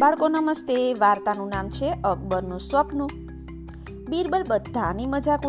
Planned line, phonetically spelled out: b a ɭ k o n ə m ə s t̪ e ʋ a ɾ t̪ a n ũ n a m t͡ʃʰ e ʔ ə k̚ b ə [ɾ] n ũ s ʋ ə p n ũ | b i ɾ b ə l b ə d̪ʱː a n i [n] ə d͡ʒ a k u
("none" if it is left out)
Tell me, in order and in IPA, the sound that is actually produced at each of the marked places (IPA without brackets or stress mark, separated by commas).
ɾ, m